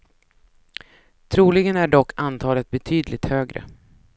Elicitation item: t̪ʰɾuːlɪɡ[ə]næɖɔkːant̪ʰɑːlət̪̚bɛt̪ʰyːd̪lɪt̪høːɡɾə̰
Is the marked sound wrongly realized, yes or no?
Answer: no